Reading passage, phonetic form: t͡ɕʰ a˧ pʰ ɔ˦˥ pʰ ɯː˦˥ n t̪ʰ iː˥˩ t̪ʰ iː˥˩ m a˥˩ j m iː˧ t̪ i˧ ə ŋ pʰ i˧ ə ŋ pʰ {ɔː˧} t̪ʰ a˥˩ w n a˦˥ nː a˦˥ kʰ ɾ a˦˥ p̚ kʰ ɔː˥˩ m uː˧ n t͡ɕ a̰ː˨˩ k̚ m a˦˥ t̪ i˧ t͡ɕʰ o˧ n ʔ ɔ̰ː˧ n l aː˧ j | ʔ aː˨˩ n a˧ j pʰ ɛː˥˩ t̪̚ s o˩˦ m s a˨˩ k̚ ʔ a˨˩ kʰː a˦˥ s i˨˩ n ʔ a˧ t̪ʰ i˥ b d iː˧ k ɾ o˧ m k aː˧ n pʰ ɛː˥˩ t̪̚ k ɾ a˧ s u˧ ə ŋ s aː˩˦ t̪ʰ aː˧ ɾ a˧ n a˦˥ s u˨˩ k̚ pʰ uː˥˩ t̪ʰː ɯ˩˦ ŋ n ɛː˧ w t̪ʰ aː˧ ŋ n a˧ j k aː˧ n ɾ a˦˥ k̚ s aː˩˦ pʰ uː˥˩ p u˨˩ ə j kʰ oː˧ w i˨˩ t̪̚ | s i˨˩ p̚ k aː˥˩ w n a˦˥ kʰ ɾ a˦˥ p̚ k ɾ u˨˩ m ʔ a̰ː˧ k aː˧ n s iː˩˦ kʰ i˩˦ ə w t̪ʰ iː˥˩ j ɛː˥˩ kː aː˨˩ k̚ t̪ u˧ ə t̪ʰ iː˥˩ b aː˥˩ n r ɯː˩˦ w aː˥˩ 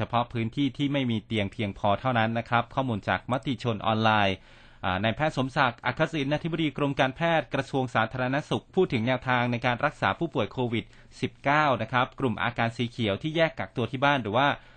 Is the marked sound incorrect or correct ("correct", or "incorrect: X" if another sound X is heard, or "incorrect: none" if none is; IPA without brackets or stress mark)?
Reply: correct